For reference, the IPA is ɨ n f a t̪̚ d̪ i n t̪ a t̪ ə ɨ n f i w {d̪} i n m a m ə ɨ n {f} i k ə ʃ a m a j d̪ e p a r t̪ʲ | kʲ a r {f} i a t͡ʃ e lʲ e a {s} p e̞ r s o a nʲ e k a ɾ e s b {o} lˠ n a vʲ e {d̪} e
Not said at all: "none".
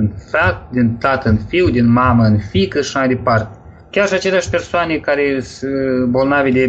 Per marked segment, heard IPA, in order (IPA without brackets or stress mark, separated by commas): d̪, f, ʃ, ʃ, o, d̪